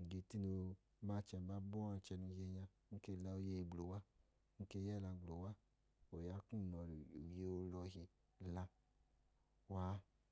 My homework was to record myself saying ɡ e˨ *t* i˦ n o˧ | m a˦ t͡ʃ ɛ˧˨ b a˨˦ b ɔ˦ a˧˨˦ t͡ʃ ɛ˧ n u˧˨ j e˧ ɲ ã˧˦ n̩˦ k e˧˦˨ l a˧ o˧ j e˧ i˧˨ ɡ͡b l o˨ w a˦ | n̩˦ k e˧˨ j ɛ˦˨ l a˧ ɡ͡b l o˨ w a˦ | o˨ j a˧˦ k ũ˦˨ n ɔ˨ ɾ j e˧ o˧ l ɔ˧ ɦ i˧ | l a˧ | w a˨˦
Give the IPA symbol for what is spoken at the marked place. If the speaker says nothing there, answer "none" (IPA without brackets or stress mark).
t